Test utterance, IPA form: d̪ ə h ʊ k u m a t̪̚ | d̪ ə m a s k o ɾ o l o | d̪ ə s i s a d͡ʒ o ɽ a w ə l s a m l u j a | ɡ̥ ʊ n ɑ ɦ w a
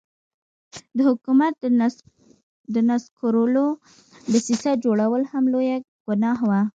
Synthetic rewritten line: d̪ ə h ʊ k u m a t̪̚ | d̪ ə n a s k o ɾ o l o | d̪ ə s i s a d͡ʒ o ɽ a w ə l h a m l o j a | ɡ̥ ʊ n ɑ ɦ w a